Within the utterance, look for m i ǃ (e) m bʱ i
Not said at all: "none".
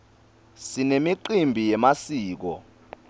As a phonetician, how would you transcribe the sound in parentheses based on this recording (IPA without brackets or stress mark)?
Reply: i